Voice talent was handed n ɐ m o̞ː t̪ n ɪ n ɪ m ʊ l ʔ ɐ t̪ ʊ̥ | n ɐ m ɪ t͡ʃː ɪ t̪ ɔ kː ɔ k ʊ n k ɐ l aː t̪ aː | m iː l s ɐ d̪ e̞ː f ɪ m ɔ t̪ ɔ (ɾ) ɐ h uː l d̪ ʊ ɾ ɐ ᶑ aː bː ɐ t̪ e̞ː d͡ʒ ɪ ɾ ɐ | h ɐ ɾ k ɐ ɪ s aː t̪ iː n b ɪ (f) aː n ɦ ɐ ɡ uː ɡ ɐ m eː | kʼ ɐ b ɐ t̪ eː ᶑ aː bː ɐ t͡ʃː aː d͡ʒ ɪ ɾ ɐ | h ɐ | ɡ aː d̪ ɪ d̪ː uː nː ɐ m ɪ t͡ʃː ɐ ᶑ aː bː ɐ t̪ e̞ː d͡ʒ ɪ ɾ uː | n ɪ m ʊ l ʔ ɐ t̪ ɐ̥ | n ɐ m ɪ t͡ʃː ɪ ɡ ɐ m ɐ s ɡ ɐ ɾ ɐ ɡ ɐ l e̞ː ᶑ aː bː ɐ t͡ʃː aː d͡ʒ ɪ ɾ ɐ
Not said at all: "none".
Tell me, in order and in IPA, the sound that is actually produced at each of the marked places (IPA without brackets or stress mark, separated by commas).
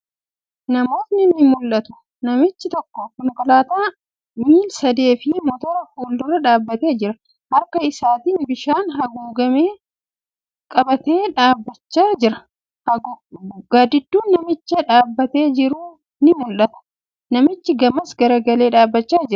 ɾ, ʃ